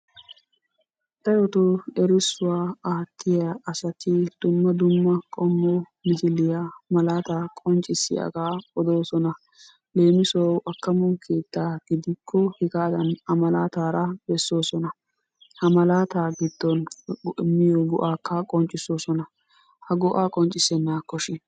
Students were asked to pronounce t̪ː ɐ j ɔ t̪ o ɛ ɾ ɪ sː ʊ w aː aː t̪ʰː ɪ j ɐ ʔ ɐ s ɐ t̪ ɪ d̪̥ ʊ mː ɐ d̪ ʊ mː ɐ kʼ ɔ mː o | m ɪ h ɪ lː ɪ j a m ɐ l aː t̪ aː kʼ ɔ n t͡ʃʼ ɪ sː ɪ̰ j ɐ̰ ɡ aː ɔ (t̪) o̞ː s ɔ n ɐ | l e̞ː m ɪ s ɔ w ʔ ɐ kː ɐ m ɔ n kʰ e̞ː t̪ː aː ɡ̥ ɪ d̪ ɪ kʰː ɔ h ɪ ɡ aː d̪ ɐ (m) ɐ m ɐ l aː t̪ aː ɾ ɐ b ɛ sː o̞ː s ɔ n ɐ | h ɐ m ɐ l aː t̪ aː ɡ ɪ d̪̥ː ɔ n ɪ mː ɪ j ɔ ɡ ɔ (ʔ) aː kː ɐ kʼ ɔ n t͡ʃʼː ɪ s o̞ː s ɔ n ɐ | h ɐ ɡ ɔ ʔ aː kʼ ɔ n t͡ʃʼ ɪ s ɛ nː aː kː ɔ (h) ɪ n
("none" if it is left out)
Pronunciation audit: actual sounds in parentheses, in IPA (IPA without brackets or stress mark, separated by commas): d̪, n, ʔ, ʃ